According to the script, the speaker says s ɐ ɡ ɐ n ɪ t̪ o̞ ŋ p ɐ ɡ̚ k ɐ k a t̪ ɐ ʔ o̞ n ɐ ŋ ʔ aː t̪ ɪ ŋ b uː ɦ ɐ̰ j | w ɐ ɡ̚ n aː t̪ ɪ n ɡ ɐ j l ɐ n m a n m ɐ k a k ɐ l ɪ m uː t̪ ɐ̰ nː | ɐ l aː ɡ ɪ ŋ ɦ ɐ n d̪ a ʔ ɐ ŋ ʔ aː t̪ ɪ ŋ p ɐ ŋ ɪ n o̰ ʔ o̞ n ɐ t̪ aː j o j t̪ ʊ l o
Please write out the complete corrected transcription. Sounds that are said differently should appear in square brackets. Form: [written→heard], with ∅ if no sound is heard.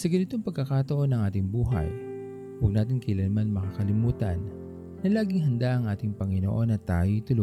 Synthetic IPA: s ɐ ɡ ɐ n ɪ t̪ o̞ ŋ p ɐ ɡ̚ k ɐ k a t̪ ɐ ʔ o̞ n ɐ ŋ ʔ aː t̪ ɪ ŋ b uː ɦ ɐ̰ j | w ɐ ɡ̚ n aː t̪ ɪ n [ɡ→k] ɐ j l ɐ n m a n m ɐ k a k ɐ l ɪ m uː t̪ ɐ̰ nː | ɐ l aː ɡ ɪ ŋ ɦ ɐ n d̪ a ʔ ɐ ŋ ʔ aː t̪ ɪ ŋ p ɐ ŋ ɪ n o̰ ʔ o̞ n ɐ t̪ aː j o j t̪ ʊ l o